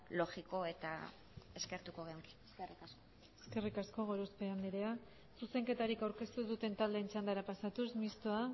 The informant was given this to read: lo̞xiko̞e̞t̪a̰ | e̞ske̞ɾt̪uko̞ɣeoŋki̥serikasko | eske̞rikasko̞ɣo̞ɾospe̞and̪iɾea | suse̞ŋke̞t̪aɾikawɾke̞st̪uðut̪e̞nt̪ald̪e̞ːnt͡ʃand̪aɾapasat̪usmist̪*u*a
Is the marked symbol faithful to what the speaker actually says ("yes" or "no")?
no